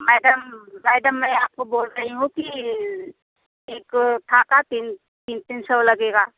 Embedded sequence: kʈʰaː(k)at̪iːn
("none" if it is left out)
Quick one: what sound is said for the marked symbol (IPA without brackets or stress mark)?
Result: k